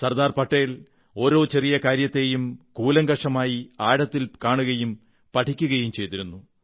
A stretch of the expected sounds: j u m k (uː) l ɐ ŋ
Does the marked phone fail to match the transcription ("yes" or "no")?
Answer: no